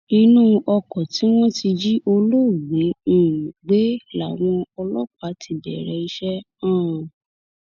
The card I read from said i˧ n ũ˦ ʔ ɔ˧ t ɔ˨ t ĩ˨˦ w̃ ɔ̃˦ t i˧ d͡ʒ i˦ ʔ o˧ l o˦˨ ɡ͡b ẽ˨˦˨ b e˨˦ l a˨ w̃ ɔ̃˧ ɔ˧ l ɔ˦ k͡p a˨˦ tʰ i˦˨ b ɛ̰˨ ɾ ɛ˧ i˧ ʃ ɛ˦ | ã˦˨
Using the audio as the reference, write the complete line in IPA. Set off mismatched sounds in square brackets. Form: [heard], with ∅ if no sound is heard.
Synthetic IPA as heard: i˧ n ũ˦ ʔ ɔ˧ [k] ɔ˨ t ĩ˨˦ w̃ ɔ̃˦ t i˧ d͡ʒ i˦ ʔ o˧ l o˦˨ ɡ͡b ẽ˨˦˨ [ɡ͡b] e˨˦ l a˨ w̃ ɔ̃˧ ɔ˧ l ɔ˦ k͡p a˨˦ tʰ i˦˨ b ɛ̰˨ ɾ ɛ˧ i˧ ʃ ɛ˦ | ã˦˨